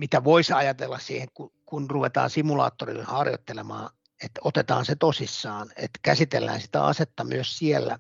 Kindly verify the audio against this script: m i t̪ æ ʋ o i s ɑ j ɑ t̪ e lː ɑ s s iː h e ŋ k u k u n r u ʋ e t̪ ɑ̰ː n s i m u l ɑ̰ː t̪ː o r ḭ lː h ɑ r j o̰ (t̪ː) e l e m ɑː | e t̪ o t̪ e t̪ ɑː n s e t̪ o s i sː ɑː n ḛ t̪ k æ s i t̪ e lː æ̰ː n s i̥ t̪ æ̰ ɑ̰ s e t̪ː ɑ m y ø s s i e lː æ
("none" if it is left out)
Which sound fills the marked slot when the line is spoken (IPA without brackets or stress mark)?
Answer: t̪ː